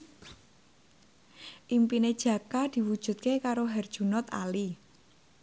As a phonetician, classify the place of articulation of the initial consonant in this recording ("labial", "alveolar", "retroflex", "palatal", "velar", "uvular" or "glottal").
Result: glottal